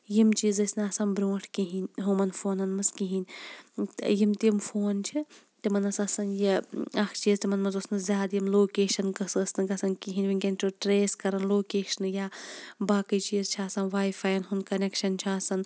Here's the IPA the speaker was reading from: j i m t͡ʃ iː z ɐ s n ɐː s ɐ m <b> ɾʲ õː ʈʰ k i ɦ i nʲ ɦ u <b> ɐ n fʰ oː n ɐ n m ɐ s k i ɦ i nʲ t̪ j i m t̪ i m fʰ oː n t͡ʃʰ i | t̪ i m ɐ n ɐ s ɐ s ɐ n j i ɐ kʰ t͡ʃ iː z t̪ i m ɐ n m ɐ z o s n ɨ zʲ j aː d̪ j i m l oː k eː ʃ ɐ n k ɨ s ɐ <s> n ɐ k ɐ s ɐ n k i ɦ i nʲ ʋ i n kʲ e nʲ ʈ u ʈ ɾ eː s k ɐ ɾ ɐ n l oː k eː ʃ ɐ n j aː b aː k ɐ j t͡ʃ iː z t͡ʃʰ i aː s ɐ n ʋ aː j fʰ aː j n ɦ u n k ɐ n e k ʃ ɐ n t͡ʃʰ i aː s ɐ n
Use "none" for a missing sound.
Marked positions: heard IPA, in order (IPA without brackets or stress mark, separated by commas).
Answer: b, m, s